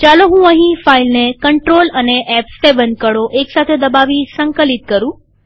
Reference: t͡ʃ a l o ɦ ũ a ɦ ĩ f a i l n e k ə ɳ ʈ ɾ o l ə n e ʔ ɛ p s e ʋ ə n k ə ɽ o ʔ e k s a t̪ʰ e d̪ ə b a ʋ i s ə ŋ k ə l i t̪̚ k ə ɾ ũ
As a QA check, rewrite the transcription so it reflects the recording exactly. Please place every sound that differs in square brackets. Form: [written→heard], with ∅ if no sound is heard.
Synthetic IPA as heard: t͡ʃ a l o ɦ ũ [a→ə] ɦ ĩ f a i l n e k ə ɳ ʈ ɾ o l ə n e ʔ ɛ p s e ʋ ə n k ə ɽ o ʔ e k s a t̪ʰ e d̪ ə b a ʋ i s ə ŋ k ə l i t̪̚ k ə ɾ ũ